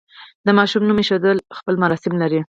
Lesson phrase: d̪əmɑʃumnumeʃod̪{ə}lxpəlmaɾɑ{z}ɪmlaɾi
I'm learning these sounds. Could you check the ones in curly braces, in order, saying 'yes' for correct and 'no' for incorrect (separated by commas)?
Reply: yes, no